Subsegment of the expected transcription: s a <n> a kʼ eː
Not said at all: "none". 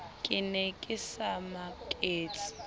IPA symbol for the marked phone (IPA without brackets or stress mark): m